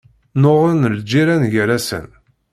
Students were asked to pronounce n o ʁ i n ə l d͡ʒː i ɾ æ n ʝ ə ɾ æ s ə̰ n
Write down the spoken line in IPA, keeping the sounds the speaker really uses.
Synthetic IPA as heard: n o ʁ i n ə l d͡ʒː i ɾ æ n ʝ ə ɾ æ s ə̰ n